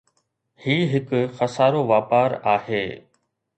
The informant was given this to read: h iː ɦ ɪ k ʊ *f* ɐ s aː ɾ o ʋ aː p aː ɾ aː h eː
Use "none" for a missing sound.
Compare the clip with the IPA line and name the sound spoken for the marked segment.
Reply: x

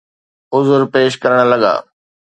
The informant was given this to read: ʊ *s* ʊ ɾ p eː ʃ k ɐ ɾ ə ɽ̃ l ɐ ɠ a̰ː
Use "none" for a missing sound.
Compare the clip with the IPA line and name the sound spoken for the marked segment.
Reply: z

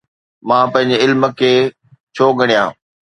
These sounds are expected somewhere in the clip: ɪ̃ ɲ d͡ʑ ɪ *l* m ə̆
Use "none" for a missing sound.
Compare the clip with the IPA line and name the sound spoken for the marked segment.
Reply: l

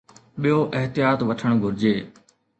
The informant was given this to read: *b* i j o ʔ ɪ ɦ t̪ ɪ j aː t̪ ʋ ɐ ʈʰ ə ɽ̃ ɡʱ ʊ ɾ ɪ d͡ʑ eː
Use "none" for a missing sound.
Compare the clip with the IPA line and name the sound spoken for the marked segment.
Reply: ɓ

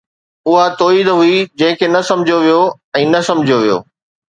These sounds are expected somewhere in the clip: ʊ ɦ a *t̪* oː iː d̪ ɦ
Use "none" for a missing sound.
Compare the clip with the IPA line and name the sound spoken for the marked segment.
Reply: t̪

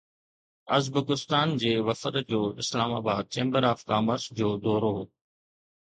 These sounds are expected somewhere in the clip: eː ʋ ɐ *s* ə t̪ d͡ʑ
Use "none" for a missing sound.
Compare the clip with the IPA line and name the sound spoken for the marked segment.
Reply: f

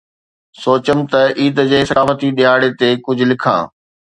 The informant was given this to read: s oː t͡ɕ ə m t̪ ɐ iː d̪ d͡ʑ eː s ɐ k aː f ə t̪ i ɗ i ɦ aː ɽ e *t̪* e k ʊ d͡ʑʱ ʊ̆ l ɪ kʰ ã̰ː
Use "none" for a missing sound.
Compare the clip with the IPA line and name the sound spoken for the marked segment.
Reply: t̪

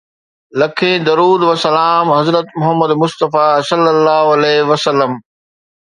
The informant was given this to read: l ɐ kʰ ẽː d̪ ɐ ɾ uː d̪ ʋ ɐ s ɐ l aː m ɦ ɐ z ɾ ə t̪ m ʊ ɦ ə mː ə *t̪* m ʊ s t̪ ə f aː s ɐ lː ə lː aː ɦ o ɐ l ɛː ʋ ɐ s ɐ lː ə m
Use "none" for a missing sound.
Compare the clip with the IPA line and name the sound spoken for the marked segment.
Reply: d̪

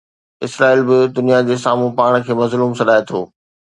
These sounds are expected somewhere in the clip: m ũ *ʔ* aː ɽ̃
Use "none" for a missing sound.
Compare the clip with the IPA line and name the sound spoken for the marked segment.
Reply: p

